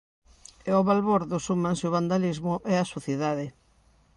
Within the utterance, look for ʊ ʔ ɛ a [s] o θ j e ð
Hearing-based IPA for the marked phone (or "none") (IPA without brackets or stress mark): s